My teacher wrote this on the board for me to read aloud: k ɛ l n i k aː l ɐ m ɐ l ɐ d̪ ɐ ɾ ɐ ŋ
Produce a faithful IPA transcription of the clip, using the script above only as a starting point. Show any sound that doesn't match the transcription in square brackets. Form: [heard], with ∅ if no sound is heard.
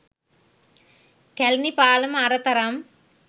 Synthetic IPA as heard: k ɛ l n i [p] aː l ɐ m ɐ [ɾ] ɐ [t̪] ɐ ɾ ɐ [m]

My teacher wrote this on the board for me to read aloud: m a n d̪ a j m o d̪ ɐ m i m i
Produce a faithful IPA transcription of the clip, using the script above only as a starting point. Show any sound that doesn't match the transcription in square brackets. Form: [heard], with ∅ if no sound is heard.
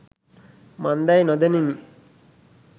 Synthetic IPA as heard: m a n d̪ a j [n] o d̪ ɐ [n] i m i

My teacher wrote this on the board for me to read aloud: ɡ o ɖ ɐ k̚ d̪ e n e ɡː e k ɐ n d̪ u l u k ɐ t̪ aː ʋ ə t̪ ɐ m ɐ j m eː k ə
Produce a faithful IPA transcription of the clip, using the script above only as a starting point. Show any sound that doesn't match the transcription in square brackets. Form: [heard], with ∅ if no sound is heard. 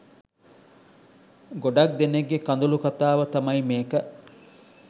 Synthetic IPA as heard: ɡ o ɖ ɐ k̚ d̪ e n e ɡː e k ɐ n d̪ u l u k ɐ t̪ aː ʋ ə t̪ ɐ m ɐ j m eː k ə

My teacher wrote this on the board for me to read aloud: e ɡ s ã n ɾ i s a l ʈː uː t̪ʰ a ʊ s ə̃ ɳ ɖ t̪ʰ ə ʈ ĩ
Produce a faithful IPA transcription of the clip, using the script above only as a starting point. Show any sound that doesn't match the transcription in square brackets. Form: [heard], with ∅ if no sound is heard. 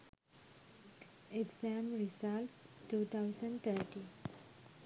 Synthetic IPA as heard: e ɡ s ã [m] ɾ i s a l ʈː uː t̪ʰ a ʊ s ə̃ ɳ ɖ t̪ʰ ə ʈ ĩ

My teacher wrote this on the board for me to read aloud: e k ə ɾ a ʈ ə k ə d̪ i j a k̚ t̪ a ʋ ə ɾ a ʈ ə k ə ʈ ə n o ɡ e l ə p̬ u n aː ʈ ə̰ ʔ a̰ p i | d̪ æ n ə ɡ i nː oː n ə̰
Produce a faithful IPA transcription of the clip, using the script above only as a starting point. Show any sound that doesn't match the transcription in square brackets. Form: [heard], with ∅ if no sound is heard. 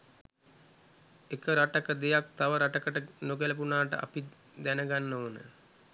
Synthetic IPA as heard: e k ə ɾ a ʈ ə k ə d̪ [e] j a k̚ t̪ a ʋ ə ɾ a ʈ ə k ə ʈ ə n o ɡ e l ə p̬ u n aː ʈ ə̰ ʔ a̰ p i | d̪ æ n ə ɡ [a] nː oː n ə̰

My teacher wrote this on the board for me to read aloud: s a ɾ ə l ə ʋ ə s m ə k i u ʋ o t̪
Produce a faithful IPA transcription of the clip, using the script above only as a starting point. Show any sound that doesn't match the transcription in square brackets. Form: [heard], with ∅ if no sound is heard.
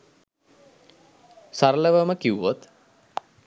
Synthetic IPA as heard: s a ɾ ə l ə ʋ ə [∅] m ə k i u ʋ o t̪

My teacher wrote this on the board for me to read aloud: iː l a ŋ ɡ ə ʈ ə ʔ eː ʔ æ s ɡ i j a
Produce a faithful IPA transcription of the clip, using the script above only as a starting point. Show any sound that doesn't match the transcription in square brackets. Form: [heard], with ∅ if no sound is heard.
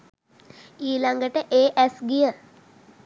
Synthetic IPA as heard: iː l a ŋ ɡ ə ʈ ə ʔ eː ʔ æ s ɡ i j [ə]

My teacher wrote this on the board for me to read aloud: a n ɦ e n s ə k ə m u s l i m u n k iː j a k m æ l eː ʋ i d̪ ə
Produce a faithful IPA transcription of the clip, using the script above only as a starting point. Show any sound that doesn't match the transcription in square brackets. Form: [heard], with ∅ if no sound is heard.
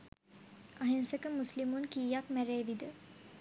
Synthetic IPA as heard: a [∅] ɦ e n s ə k ə m u s l i m u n k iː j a k m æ [ɾ] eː ʋ i d̪ ə

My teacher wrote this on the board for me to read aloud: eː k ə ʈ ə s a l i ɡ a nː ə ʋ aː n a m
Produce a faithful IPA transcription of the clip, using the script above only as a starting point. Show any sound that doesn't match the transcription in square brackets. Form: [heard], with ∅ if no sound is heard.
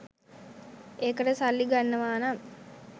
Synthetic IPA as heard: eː k ə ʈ ə s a [lː] i ɡ a nː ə ʋ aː n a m

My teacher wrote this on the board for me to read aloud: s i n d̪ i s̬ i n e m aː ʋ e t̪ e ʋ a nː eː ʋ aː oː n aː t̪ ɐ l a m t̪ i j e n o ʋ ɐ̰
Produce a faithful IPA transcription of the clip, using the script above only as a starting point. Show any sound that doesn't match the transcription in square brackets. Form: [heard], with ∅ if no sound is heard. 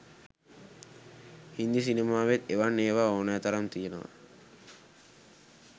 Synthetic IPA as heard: [h] i n d̪ i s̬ i n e m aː ʋ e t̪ e ʋ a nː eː ʋ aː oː n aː t̪ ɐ [ɾ] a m t̪ i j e n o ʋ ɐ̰

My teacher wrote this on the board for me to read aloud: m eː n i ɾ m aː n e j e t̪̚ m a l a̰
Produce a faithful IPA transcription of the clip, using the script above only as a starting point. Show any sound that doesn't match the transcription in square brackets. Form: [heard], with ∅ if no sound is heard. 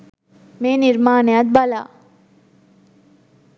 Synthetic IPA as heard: m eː n i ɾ m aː n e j [a] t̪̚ [b] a l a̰

